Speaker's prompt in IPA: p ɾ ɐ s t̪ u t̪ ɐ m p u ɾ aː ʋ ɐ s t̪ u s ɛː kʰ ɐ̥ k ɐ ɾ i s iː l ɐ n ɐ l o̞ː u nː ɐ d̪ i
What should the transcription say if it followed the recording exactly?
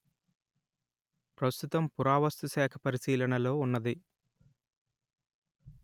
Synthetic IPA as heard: p ɾ ɐ s t̪ u t̪ ɐ m p u ɾ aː ʋ ɐ s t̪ u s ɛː kʰ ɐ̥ p ɐ ɾ i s iː l ɐ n ɐ l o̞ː u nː ɐ d̪ i